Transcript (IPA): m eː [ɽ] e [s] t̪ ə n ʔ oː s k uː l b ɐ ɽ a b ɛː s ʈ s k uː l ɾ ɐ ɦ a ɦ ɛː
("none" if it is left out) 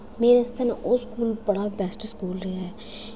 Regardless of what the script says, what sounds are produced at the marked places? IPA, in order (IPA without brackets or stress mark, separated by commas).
ɾ, s